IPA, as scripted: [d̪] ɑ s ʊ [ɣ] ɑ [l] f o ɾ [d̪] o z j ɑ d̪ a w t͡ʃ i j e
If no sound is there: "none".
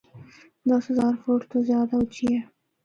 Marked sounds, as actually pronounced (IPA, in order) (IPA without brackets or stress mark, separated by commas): d̪, z, ɾ, t̪